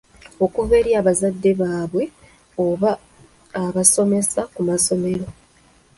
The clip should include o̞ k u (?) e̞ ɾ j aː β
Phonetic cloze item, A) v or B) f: A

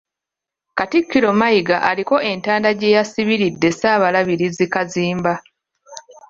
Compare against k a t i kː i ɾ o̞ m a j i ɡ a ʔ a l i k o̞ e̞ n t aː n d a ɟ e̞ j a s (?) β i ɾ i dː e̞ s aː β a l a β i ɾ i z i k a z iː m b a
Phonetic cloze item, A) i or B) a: A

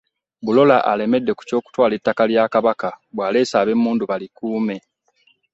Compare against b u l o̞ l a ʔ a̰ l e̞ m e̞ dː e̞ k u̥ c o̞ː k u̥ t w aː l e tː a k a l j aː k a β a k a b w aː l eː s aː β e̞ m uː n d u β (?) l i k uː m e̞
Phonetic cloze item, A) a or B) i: A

